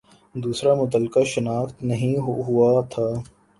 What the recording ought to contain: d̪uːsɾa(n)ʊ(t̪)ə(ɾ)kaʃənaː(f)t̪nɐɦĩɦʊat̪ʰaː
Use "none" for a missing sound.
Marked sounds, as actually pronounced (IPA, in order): m, t̪, l, x

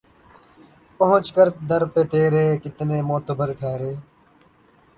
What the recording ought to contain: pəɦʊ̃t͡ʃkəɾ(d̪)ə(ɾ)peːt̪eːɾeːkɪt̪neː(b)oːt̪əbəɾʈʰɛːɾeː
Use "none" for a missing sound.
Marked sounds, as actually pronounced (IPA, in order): d̪, ɾ, m

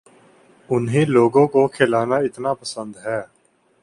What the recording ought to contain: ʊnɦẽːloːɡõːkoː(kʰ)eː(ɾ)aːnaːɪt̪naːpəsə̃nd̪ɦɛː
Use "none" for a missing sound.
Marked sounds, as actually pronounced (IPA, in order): kʰ, l

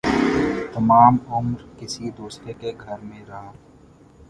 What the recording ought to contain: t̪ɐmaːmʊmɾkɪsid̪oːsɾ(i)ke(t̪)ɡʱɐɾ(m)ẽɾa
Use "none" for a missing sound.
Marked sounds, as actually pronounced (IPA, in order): e, none, m

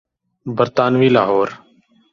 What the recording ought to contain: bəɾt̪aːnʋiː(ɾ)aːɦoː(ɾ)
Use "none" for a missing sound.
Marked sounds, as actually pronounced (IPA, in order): l, ɾ

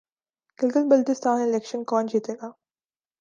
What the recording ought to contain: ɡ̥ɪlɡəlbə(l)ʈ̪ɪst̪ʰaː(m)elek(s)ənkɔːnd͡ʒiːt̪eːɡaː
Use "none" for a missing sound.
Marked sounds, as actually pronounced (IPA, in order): l, n, ʃ

